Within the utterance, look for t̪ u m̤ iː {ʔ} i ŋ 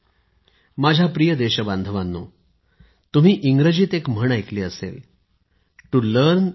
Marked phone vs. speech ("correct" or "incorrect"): correct